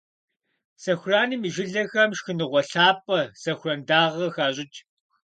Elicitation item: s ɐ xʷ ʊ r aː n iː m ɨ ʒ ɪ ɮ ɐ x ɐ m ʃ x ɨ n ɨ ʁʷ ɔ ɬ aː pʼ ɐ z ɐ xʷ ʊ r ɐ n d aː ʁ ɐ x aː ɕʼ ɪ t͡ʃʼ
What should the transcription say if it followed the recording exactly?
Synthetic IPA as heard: s ɐ xʷ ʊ r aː n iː m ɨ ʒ ɪ ɮ ɐ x ɐ m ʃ x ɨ n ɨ ʁʷ ɔ ɬ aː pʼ ɐ s ɐ xʷ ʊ r ɐ n d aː ʁ ɐ x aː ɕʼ ɪ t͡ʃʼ